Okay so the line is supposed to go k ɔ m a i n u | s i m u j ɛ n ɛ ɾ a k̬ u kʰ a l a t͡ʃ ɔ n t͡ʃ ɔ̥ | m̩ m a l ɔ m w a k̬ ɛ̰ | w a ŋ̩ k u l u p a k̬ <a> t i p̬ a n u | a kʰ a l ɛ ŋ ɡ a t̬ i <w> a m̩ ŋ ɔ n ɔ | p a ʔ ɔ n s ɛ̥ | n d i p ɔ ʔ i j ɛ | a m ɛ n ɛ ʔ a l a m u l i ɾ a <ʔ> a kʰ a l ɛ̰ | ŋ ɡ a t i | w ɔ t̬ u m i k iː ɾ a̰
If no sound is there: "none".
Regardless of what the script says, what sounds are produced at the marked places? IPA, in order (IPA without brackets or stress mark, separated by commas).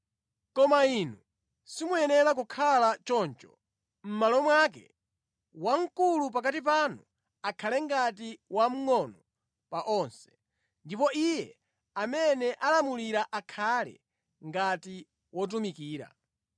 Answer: a, w, ʔ